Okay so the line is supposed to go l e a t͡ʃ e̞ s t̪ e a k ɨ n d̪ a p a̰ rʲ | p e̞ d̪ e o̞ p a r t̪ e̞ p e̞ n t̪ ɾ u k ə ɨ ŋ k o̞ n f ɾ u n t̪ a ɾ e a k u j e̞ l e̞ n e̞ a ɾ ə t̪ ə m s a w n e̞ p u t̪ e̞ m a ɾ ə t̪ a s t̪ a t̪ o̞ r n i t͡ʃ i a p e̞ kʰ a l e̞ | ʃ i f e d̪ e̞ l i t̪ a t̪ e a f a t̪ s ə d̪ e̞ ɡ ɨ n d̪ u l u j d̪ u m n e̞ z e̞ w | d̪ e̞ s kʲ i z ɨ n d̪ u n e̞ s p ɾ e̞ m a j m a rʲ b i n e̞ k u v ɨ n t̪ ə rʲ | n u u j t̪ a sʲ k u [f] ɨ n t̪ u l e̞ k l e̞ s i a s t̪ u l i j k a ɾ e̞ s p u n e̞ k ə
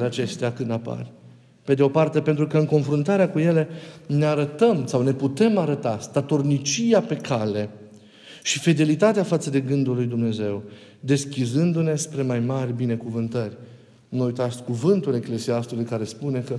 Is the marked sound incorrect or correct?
incorrect